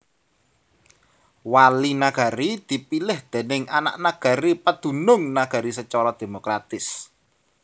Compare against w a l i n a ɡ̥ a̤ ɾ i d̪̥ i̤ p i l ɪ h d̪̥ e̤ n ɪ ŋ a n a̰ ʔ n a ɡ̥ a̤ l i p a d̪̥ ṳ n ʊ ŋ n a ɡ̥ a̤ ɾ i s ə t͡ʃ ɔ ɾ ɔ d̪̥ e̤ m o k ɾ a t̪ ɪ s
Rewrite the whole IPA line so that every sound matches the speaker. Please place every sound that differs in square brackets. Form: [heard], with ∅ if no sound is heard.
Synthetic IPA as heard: w a l i n a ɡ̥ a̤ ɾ i d̪̥ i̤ p i l ɪ h d̪̥ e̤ n ɪ ŋ a n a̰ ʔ n a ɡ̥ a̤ [ɾ] i p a d̪̥ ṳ n ʊ ŋ n a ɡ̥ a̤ ɾ i s ə t͡ʃ ɔ ɾ ɔ d̪̥ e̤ m o k ɾ a t̪ ɪ s